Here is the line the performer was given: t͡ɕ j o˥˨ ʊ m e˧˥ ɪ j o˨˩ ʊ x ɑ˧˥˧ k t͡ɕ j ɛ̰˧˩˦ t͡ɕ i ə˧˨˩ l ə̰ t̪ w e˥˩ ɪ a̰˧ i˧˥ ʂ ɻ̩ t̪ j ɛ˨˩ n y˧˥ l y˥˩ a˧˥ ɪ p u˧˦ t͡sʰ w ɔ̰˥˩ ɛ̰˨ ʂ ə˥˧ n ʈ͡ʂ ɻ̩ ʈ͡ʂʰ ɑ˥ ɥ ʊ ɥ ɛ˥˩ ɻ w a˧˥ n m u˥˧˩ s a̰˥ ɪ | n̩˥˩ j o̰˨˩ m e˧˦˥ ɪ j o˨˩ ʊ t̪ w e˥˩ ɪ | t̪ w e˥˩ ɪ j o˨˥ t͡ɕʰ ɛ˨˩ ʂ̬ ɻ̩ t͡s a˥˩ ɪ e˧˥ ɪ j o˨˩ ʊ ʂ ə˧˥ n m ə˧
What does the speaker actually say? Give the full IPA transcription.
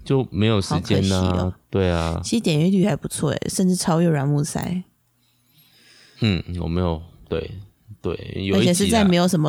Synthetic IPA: t͡ɕ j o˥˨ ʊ m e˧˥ ɪ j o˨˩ ʊ ʂ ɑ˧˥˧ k t͡ɕ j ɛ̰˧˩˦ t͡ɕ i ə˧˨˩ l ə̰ t̪ w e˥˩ ɪ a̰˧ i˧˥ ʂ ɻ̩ t̪ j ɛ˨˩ n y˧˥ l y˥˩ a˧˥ ɪ p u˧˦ t͡sʰ w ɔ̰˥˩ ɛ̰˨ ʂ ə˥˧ n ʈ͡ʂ ɻ̩ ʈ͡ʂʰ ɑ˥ ʊ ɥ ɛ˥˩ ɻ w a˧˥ n m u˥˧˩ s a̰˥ ɪ | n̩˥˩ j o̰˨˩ m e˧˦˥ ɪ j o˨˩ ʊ t̪ w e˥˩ ɪ | t̪ w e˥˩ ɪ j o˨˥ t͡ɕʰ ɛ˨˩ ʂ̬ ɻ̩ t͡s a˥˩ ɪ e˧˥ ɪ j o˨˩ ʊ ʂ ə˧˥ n m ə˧